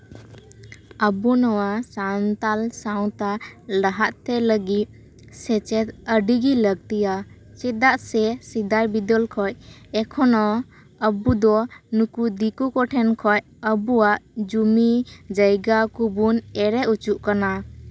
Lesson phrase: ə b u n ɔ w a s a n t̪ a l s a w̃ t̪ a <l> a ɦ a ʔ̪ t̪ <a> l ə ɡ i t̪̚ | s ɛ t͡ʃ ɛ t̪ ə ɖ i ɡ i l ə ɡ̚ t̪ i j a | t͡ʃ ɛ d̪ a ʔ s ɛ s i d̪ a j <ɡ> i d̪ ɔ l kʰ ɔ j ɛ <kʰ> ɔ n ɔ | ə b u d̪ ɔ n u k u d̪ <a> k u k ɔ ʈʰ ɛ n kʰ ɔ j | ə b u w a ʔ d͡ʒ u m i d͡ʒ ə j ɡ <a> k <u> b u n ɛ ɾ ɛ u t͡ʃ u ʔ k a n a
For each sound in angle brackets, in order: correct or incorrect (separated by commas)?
correct, incorrect, incorrect, correct, incorrect, correct, correct